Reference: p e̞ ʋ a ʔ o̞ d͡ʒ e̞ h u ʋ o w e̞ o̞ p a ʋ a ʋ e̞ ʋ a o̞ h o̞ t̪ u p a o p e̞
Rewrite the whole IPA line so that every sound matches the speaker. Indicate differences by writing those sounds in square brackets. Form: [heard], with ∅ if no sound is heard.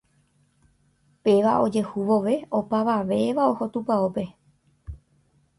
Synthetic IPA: p e̞ ʋ a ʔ o̞ d͡ʒ e̞ h u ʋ o [ʋ] e̞ o̞ p a ʋ a ʋ e̞ ʋ a o̞ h o̞ t̪ u p a o p e̞